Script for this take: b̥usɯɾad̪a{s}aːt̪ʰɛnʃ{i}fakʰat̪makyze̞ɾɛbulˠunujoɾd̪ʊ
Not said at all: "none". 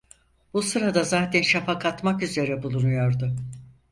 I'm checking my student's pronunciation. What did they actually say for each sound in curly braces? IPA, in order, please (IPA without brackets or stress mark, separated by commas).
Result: z, a